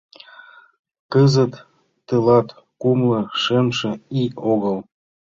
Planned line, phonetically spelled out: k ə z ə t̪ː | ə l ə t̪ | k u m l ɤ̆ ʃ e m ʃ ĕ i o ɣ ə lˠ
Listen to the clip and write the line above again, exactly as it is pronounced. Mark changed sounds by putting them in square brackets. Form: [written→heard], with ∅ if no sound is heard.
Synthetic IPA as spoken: k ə z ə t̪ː | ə l [ə→ɑ] t̪ | k u m l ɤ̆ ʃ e m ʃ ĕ i o ɣ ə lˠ